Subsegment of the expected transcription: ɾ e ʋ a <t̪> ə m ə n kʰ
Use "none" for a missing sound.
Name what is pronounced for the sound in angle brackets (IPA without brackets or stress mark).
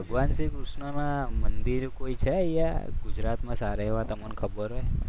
t̪